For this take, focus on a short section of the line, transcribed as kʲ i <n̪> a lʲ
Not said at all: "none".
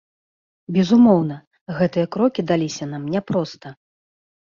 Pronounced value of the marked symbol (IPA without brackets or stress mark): d̪